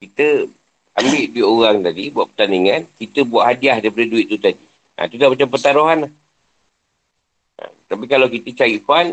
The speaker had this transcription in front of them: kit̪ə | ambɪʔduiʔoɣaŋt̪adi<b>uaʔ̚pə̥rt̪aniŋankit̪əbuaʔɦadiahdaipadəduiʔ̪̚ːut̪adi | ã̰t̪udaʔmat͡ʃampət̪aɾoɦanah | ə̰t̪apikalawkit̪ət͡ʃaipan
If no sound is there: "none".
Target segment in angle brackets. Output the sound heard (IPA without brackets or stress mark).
b